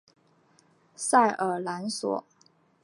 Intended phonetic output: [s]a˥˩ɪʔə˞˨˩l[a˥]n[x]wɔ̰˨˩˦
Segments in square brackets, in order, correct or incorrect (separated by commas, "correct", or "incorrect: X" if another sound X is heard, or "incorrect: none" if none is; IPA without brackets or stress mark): correct, incorrect: a˧˥, incorrect: s